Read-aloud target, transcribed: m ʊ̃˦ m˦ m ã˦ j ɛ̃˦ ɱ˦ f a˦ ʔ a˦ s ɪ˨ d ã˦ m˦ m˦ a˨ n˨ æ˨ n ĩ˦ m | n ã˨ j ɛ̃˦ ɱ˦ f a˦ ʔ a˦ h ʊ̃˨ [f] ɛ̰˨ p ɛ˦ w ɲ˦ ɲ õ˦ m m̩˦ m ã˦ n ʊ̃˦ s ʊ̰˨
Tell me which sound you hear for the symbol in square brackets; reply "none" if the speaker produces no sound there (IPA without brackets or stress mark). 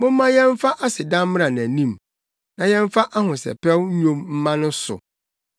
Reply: s